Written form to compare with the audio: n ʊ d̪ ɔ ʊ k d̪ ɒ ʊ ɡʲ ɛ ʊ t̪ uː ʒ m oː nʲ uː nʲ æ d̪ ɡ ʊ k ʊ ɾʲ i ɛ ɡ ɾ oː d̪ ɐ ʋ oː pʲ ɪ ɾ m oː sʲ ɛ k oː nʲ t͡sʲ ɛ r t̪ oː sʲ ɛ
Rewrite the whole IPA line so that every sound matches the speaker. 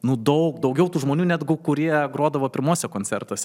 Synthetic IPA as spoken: n ʊ d̪ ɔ ʊ k d̪ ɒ ʊ ɡʲ ɛ ʊ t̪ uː ʒ m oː nʲ uː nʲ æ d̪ ɡ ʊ k ʊ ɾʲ i ɛ ɡ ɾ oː d̪ ɐ ʋ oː pʲ ɪ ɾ m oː sʲ ɛ k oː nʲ t͡sʲ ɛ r t̪ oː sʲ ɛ